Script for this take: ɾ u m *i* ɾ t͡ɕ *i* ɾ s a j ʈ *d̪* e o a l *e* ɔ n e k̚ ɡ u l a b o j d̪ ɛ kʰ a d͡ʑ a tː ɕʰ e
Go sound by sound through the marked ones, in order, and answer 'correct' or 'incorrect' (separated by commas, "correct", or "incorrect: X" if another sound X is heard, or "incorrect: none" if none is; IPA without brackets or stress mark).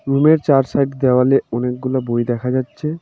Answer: incorrect: e, incorrect: a, correct, correct